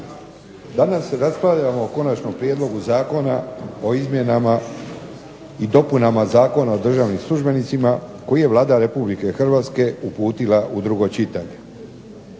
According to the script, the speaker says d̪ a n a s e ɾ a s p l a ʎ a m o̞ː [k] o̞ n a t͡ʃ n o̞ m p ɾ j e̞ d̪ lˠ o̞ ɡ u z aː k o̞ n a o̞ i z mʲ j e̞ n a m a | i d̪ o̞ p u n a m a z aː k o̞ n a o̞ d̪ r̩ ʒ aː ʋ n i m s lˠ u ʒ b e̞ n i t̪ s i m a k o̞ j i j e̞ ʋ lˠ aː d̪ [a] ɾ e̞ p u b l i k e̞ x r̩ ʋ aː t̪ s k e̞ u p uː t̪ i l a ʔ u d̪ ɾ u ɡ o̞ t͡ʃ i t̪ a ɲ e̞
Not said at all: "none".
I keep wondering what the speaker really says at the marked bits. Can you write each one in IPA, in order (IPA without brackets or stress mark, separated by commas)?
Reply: k, a